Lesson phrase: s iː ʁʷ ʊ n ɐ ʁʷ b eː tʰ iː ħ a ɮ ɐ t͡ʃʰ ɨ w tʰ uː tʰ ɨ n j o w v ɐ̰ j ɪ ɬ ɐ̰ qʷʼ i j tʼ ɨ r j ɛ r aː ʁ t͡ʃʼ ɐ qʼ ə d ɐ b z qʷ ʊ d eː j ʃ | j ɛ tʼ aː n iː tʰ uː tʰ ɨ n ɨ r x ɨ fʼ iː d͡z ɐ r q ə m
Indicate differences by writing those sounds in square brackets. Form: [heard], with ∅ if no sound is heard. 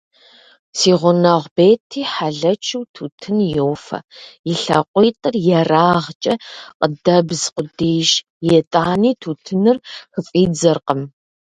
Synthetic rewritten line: s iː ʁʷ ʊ n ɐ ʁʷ b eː tʰ iː ħ a ɮ ɐ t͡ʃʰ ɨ w tʰ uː tʰ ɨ n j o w [f] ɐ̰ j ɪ ɬ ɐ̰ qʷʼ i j tʼ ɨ r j ɛ r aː ʁ t͡ʃʼ ɐ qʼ ə d ɐ b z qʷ ʊ d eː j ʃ | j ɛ tʼ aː n iː tʰ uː tʰ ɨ n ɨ r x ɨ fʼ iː d͡z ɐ r q ə m